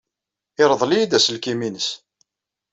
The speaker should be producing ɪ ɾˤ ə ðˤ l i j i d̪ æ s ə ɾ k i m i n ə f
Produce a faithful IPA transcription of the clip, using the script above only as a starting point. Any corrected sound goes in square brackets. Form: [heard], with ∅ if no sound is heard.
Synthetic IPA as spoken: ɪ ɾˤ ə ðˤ l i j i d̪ æ s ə [l] k i m i n ə [s]